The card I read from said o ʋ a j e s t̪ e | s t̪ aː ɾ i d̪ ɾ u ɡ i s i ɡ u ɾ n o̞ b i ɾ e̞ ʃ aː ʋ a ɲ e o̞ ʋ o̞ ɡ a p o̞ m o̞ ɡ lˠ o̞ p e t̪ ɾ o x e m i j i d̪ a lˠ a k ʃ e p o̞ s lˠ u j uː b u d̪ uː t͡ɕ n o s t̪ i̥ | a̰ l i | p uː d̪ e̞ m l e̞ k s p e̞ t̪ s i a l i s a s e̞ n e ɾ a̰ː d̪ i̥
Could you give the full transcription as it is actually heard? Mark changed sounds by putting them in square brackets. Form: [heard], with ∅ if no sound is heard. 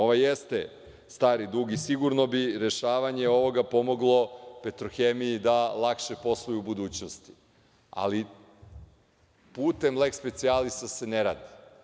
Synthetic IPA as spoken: o ʋ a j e s t̪ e | s t̪ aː ɾ i d̪ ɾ u ɡ i s i ɡ u ɾ n o̞ b i ɾ e̞ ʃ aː ʋ a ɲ e o̞ ʋ o̞ ɡ a p o̞ m o̞ ɡ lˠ o̞ p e t̪ ɾ o x e m i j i d̪ a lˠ a k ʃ e p o̞ s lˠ u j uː b u d̪ uː t͡ɕ n o s t̪ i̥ | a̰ l i | p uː [t̪] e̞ m l e̞ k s p e̞ t̪ s i a l i s a s e̞ n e ɾ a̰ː d̪ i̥